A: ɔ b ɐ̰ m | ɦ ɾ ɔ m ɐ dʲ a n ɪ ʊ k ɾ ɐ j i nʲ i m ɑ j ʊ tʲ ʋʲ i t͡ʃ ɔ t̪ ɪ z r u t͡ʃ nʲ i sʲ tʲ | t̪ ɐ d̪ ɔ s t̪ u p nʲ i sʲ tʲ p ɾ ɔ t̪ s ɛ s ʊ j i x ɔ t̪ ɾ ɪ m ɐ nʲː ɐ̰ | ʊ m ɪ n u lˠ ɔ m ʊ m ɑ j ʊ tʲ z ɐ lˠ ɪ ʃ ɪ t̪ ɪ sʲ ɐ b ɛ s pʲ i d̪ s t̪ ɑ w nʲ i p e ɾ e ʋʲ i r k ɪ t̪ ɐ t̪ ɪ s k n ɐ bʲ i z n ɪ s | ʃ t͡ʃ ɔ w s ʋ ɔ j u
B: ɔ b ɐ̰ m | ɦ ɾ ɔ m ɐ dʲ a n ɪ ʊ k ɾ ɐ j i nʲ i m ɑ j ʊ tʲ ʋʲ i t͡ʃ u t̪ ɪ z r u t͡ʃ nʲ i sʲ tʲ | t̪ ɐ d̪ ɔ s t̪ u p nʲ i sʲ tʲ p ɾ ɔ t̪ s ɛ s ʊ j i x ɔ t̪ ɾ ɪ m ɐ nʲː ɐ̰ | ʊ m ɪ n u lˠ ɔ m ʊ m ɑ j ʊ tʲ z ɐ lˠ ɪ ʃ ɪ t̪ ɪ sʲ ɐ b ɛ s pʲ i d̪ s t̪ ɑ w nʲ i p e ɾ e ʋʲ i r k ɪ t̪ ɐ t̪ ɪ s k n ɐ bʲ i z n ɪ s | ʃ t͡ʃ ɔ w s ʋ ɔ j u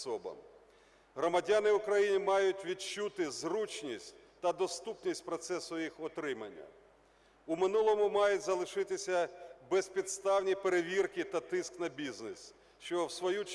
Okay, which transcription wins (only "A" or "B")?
B